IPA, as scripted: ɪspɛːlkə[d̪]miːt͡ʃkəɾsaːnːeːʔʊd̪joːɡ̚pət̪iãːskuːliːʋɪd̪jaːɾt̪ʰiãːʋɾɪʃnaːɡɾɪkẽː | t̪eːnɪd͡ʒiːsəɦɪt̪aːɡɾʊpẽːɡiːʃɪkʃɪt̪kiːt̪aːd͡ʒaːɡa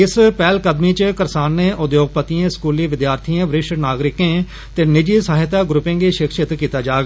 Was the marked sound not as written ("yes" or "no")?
no